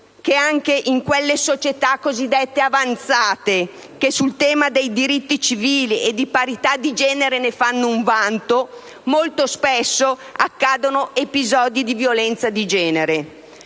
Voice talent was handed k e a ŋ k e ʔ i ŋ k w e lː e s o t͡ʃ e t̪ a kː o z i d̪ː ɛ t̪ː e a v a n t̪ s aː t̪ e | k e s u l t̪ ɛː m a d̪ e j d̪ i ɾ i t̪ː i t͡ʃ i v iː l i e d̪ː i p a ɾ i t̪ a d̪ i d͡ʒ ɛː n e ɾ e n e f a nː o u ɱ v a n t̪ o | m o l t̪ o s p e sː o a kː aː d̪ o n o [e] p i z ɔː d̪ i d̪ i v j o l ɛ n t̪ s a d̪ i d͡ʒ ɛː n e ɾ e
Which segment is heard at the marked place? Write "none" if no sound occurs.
e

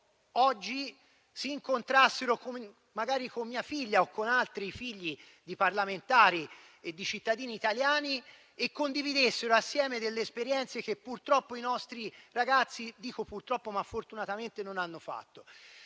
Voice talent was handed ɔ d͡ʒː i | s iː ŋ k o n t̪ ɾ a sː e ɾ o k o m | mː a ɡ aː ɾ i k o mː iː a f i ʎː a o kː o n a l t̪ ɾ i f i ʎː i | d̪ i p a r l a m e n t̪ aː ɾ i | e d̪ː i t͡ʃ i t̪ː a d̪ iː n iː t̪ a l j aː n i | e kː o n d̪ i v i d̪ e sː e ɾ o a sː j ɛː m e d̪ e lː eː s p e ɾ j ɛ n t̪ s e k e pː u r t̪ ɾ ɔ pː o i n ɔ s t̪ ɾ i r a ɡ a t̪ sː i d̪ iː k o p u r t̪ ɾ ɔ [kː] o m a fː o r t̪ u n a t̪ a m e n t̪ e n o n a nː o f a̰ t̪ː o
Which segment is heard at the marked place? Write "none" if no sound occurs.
pː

